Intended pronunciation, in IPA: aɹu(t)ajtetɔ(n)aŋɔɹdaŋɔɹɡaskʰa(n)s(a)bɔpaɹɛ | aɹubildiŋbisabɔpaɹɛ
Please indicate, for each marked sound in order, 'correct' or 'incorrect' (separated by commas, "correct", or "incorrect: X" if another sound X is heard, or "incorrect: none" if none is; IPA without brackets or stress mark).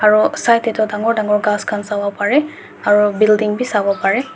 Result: incorrect: s, incorrect: d, correct, correct